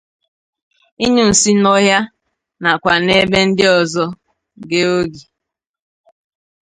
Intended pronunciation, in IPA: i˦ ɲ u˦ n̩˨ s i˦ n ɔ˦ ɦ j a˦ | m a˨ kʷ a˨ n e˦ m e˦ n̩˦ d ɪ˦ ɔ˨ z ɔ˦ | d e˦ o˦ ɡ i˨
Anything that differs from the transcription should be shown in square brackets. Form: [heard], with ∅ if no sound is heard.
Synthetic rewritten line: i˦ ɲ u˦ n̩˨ s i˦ n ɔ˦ ɦ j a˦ | [n] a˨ kʷ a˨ n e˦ [b] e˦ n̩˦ d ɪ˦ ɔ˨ z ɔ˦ | [ɡ] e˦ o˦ ɡ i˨